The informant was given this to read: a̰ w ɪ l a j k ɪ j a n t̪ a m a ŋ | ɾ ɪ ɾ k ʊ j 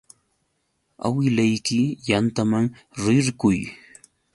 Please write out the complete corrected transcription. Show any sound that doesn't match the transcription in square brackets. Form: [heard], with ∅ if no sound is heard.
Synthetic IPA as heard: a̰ w ɪ l a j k ɪ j a n t̪ a m a ŋ | ɾ ɪ ɾ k ʊ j